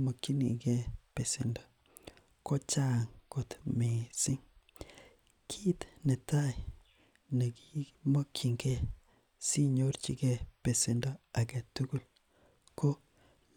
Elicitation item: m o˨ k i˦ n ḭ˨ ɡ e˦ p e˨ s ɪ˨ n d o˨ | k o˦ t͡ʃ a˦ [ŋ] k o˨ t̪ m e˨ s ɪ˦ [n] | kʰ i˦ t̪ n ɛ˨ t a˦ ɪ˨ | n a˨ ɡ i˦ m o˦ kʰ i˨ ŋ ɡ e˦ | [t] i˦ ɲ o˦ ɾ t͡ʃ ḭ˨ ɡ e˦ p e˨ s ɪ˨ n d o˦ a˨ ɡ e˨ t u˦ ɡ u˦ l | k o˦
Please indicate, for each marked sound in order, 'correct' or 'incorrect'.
correct, incorrect: ŋ, incorrect: s

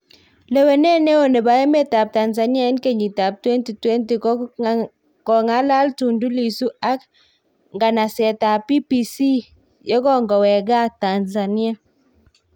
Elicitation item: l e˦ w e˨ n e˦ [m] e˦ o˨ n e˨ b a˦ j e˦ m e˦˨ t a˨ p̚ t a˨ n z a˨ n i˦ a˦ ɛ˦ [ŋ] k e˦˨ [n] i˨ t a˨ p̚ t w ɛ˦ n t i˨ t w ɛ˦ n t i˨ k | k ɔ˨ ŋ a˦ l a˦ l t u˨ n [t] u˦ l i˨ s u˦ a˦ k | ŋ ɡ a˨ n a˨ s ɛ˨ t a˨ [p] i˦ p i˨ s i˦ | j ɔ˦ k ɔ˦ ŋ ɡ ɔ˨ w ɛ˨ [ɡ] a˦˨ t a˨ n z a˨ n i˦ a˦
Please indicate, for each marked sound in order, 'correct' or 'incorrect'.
incorrect: n, incorrect: n, incorrect: ɲ, incorrect: d, correct, correct

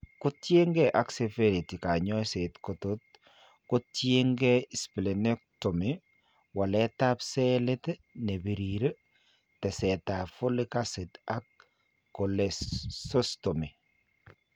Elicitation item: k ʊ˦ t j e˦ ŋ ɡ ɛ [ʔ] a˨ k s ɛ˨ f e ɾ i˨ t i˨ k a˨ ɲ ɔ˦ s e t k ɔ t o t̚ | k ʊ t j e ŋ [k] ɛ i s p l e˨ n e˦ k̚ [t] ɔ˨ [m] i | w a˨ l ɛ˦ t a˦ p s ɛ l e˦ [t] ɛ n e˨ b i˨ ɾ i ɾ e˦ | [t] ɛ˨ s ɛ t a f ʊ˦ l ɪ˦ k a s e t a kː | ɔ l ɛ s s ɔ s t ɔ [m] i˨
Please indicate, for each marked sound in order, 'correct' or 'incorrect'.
correct, incorrect: ɡ, correct, correct, correct, correct, correct

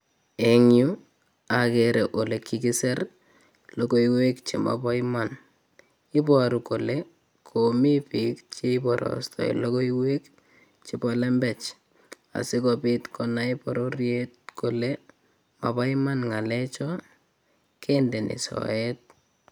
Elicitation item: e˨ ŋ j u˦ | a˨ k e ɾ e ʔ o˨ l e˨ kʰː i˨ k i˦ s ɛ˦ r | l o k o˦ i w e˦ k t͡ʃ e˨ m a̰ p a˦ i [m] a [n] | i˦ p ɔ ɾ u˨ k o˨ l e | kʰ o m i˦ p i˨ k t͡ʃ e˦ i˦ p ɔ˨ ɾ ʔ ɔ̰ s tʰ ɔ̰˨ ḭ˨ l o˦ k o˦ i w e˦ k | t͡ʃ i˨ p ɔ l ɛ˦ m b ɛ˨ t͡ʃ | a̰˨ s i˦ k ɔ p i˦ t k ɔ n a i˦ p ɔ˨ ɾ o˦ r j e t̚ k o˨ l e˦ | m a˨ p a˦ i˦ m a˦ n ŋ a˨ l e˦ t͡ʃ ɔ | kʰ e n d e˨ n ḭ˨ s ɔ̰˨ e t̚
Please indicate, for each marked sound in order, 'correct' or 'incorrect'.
correct, correct

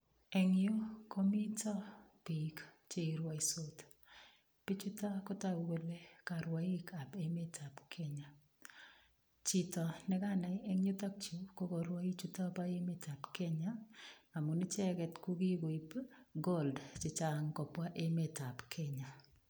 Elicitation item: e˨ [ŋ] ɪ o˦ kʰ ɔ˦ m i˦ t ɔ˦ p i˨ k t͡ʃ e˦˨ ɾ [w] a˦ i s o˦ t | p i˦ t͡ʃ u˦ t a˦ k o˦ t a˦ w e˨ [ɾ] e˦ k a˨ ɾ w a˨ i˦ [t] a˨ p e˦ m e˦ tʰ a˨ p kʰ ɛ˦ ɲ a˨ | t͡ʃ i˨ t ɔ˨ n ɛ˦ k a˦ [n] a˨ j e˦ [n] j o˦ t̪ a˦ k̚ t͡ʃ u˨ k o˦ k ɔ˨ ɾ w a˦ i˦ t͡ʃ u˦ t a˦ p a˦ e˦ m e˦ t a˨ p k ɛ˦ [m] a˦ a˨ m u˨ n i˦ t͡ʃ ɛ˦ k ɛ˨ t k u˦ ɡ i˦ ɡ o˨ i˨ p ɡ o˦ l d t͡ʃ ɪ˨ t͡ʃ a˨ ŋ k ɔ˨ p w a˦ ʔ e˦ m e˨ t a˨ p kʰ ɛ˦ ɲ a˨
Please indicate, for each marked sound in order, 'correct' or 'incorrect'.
correct, correct, incorrect: l, incorrect: k, correct, incorrect: ŋ, incorrect: ɲ

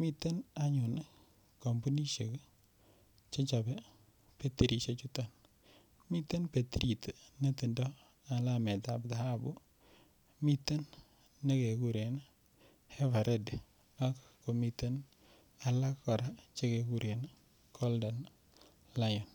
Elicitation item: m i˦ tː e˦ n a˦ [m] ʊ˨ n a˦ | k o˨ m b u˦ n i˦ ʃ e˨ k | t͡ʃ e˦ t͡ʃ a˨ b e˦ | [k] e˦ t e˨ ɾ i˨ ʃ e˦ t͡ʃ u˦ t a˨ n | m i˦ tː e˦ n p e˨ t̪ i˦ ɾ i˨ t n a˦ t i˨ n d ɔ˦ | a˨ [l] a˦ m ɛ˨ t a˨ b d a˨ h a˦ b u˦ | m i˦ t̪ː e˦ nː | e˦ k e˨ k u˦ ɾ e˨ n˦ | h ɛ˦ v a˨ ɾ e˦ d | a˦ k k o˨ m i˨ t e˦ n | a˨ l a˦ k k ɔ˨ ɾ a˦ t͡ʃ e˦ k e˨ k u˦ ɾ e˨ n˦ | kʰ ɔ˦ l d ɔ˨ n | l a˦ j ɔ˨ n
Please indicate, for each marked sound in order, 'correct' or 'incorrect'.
incorrect: ɲ, incorrect: p, correct

